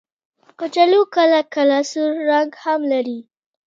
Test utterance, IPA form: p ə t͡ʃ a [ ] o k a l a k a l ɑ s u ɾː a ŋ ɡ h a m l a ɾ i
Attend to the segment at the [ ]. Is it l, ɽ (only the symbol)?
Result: l